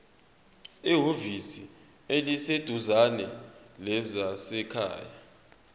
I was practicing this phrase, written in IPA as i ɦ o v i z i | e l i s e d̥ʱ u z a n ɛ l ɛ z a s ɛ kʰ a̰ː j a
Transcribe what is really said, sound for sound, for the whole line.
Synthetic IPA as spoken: i ɦ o v i s i | e l i s e d̥ʱ u z a n ɛ l ɛ z a s ɛ kʰ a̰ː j a